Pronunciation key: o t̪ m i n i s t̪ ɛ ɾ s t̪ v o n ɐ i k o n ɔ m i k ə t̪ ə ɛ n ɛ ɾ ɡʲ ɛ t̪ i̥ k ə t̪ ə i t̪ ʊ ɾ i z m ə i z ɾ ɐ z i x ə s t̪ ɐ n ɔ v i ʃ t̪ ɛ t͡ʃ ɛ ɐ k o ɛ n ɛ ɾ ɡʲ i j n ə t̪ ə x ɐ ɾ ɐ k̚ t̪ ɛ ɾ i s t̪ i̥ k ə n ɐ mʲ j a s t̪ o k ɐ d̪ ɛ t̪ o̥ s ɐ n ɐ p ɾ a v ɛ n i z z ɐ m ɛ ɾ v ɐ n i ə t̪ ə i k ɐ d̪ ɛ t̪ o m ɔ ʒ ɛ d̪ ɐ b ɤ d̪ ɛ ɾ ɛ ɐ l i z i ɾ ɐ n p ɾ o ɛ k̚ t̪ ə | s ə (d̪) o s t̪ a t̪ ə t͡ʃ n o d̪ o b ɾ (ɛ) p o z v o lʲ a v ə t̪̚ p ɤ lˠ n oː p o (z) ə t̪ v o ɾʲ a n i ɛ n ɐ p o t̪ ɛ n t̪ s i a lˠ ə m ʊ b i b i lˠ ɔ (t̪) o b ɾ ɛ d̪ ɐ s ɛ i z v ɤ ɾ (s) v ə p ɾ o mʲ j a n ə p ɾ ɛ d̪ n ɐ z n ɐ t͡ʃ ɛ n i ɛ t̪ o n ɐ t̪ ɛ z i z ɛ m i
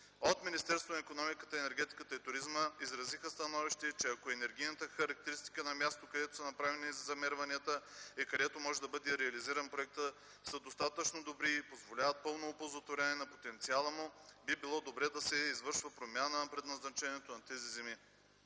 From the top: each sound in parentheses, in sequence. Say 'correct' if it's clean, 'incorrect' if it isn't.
correct, incorrect: i, correct, incorrect: d̪, incorrect: ʃ

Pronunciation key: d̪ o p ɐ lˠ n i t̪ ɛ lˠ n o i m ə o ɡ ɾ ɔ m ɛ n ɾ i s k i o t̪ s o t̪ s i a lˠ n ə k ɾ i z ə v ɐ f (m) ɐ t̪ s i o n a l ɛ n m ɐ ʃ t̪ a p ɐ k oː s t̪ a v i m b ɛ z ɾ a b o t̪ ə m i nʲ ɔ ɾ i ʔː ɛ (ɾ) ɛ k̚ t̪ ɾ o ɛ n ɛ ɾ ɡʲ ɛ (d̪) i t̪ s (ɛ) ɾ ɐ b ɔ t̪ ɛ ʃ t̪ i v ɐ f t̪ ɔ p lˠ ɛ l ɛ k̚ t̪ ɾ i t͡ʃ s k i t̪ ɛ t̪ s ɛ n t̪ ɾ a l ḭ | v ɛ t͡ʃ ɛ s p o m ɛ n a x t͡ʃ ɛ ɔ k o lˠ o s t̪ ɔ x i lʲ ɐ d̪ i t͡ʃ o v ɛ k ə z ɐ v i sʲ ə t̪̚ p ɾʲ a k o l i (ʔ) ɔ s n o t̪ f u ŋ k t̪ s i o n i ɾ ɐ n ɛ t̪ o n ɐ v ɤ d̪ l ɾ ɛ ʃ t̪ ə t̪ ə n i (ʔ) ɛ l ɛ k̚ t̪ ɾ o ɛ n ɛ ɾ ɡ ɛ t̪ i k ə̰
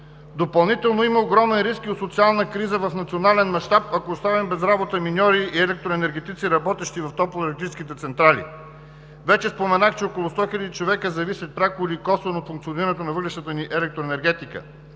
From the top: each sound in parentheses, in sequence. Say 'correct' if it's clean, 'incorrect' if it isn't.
incorrect: n, incorrect: l, incorrect: t̪, incorrect: i, incorrect: k, correct

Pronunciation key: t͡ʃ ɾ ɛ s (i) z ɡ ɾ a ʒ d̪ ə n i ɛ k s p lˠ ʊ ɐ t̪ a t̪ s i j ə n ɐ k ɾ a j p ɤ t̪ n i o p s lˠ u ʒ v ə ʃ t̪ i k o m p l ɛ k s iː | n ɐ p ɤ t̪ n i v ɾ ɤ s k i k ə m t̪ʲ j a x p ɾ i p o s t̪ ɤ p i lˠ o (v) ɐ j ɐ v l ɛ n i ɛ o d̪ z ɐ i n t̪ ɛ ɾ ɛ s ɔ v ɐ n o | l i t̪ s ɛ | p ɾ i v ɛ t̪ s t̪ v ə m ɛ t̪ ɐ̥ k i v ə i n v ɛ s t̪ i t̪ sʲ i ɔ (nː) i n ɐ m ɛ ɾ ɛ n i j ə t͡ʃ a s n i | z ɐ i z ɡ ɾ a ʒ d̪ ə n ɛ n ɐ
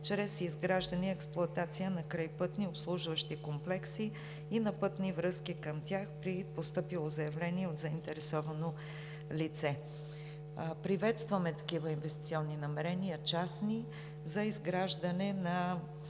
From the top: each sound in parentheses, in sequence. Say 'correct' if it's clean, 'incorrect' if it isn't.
correct, incorrect: z, correct

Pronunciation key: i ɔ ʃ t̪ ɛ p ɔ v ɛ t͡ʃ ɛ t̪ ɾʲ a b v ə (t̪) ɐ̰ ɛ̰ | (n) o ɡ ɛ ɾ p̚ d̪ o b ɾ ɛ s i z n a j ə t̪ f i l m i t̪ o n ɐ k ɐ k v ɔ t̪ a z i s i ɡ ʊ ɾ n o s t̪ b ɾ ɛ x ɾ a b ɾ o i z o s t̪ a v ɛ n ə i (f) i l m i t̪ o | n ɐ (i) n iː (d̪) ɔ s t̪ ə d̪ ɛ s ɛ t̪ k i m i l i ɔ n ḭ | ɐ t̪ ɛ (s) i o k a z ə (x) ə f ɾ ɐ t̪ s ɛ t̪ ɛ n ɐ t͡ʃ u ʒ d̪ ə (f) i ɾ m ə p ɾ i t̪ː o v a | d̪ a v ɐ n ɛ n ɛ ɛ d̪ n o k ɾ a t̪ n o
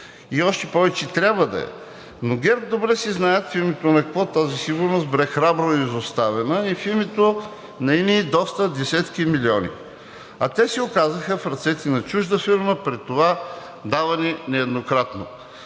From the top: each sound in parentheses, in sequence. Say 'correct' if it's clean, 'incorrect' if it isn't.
incorrect: d̪, correct, correct, correct, correct, correct, correct, correct

